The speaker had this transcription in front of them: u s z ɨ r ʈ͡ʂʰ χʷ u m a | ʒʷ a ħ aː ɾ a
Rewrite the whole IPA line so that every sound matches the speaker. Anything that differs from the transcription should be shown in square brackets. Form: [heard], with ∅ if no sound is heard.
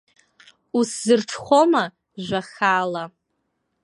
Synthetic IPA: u s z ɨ r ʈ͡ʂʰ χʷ [o] m a | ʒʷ a [χ] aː [l] a